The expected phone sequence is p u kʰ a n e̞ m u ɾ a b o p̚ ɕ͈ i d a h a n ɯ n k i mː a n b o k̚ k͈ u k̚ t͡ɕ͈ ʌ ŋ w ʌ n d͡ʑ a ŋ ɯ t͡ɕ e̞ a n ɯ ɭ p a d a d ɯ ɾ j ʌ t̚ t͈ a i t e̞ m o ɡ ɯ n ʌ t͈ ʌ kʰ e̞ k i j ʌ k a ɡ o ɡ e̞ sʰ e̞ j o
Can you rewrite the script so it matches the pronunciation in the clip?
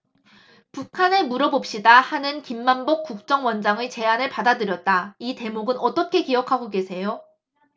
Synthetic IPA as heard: p u kʰ a n e̞ m u ɾ ʌ b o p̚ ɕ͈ i d a h a n ɯ n k i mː a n b o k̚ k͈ u k̚ t͡ɕ͈ ʌ ŋ w ʌ n d͡ʑ a ŋ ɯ t͡ɕ e̞ a n ɯ ɭ p a d a d ɯ ɾ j ʌ t̚ t͈ a i t e̞ m o ɡ ɯ n ʌ t͈ ʌ kʰ e̞ k i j ʌ kʰ a ɡ o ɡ e̞ sʰ e̞ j o